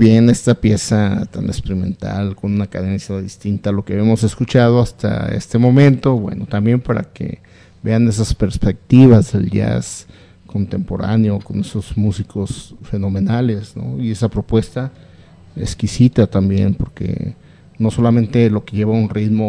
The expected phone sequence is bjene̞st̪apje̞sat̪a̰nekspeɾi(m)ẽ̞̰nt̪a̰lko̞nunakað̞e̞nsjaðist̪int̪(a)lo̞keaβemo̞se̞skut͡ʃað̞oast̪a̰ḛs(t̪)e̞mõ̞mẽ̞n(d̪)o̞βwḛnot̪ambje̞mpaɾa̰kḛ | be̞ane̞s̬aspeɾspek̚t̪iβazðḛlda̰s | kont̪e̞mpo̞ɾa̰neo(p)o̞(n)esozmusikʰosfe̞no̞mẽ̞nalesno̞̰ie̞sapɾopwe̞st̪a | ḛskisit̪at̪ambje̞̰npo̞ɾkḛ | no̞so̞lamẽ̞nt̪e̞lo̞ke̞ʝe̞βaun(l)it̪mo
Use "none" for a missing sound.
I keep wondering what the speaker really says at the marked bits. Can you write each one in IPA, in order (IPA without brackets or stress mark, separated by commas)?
m, a, t̪, t̪, k, n, r